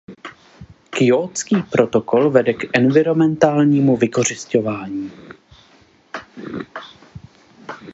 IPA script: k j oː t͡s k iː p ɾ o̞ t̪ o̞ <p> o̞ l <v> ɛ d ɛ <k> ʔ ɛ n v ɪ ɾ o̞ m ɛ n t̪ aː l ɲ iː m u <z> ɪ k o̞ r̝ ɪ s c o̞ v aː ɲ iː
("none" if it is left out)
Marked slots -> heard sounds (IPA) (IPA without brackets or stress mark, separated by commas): k, v, k, v